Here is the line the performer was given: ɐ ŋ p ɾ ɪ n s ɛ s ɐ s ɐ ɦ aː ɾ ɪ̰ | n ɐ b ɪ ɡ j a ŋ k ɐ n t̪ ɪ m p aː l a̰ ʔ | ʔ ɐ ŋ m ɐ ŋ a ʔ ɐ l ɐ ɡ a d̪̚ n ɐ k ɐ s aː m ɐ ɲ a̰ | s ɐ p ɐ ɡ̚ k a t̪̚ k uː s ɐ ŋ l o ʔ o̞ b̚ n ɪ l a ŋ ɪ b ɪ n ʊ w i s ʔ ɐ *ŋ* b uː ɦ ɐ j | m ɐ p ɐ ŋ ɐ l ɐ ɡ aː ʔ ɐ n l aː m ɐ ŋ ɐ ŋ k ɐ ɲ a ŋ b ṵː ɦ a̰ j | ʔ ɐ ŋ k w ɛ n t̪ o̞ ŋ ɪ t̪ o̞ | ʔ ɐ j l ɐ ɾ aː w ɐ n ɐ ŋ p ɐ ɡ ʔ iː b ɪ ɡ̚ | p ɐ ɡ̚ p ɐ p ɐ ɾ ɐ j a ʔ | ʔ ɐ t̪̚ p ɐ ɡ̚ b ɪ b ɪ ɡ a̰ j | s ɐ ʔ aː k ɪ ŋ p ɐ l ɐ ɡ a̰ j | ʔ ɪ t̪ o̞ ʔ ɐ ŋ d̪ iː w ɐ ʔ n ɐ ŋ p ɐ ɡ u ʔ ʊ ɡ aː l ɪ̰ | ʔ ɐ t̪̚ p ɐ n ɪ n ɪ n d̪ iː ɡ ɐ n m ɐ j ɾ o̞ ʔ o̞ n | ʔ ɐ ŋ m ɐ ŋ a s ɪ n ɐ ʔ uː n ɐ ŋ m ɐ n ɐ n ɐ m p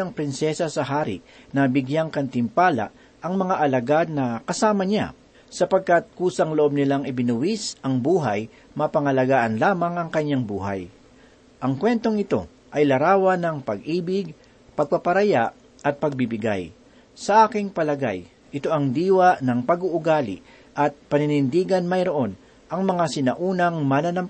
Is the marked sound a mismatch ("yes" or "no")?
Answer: no